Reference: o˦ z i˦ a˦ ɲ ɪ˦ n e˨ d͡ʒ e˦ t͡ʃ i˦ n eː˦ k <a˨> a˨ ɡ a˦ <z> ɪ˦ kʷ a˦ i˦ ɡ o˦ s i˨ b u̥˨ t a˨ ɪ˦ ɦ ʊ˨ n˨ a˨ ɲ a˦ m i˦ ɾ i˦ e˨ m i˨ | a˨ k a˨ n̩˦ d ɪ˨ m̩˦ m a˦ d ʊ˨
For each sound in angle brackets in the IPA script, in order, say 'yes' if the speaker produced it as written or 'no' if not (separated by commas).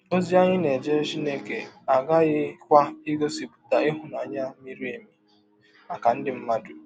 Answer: no, no